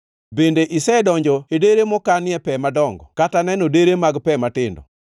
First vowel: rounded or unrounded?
unrounded